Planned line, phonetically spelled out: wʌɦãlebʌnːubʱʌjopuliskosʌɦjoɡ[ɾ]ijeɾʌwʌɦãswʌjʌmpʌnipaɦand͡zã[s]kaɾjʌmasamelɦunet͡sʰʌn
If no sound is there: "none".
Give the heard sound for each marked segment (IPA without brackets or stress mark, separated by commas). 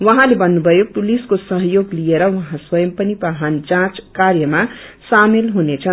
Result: l, t͡s